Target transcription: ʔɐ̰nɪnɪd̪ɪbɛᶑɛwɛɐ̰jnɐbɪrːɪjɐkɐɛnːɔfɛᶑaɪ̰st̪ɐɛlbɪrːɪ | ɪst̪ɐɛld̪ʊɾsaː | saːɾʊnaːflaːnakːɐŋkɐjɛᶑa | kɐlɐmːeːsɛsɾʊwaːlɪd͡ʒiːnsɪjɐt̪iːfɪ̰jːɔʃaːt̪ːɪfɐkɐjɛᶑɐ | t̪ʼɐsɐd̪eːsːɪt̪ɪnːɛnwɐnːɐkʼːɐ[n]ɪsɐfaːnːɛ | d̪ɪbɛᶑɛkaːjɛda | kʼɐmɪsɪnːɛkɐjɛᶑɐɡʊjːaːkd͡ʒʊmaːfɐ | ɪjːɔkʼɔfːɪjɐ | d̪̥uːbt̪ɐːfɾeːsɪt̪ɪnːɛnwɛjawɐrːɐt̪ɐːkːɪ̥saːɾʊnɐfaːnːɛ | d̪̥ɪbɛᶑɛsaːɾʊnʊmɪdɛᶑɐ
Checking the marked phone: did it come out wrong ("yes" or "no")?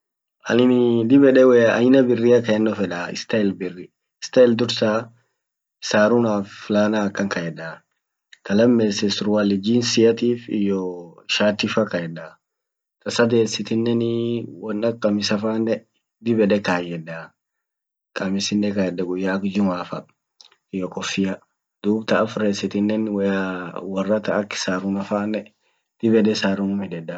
yes